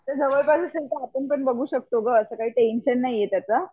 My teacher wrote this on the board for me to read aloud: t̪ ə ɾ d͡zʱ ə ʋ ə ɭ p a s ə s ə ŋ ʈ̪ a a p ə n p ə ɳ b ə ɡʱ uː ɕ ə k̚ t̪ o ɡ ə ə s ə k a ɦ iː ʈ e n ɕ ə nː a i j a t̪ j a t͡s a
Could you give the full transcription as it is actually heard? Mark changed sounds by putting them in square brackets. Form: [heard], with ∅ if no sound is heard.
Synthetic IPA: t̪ ə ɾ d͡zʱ ə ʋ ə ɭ p a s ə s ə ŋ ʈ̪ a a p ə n p ə ɳ b ə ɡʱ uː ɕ ə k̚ t̪ o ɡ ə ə s ə k a ɦ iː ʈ e n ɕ ə nː a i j [e] t̪ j a t͡s a